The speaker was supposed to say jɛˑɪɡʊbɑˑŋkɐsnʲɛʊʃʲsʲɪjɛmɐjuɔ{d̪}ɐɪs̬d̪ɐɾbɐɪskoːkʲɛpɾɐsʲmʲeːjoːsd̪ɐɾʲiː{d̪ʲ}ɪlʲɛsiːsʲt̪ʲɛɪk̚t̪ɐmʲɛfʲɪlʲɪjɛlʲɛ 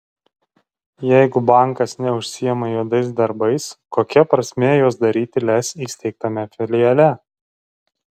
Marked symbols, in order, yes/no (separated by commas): yes, no